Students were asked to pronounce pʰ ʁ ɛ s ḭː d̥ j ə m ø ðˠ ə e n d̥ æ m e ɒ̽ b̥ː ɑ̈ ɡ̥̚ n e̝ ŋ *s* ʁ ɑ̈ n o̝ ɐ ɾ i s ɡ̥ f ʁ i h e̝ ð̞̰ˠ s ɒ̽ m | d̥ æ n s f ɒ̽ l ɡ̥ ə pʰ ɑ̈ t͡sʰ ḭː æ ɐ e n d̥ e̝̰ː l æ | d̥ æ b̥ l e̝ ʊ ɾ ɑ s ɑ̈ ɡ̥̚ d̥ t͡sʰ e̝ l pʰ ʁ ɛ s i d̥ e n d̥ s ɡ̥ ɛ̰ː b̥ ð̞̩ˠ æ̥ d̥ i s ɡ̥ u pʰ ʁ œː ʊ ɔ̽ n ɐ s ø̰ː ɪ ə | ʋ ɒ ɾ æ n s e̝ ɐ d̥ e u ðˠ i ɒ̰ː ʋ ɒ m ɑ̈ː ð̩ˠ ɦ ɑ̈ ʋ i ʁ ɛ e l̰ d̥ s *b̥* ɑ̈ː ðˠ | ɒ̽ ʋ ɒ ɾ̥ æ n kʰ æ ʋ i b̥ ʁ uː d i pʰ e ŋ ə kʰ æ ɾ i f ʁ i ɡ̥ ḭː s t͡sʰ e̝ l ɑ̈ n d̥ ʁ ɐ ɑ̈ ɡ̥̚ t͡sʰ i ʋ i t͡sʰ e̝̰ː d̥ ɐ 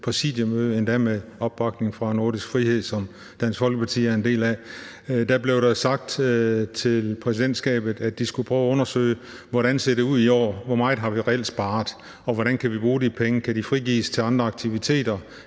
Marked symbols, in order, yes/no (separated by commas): no, yes